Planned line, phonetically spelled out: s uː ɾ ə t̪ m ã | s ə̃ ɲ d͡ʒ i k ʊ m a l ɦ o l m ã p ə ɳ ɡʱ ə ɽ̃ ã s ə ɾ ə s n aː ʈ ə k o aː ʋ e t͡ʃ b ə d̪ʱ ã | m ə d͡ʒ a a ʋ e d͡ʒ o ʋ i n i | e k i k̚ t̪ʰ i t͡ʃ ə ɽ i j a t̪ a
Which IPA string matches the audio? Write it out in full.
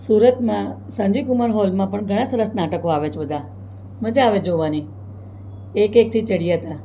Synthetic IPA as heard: s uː ɾ ə t̪ m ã | s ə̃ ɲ d͡ʒ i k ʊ m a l ɦ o l m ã p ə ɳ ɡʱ ə ɽ̃ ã s ə ɾ ə s n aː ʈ ə k o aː ʋ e t͡ʃ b ə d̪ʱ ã | m ə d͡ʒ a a ʋ e d͡ʒ o ʋ a n i | e k e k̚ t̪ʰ i t͡ʃ ə ɽ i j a t̪ a